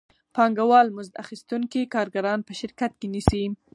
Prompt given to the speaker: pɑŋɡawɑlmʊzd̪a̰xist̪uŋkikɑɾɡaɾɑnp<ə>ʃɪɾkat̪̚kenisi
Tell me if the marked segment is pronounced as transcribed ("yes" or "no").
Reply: yes